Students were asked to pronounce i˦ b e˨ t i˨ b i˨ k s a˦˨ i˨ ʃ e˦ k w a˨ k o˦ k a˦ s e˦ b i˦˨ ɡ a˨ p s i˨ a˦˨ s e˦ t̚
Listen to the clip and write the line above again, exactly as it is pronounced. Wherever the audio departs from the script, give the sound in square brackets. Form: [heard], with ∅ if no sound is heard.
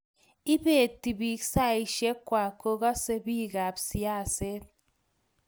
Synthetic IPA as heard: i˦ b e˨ t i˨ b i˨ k s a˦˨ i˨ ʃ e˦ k w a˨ k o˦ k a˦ s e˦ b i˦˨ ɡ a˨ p s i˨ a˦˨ s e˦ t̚